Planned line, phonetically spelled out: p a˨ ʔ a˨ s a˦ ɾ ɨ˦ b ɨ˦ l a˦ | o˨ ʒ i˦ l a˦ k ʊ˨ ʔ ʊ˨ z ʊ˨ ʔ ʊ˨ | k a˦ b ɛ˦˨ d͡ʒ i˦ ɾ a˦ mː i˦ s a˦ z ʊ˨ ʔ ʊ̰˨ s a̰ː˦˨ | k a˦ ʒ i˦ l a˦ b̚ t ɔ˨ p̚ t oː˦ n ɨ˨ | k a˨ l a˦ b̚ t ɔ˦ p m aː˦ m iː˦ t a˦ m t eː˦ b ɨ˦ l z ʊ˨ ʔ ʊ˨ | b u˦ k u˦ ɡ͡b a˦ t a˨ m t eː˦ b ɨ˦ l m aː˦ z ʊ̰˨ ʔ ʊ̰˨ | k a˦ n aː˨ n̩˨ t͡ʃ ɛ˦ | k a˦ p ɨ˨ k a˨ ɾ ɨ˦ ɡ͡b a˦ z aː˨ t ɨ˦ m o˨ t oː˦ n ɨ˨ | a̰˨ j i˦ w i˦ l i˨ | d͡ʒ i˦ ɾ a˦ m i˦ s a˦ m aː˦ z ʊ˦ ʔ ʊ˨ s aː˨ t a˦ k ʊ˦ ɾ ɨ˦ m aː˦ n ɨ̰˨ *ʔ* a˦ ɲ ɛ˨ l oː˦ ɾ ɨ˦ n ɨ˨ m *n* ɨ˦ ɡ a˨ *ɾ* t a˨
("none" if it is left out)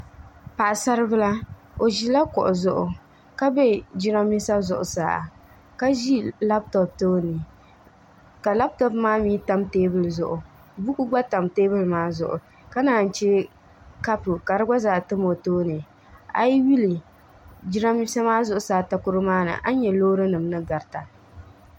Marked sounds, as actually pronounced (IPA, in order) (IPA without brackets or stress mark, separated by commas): ʔ, n, ɾ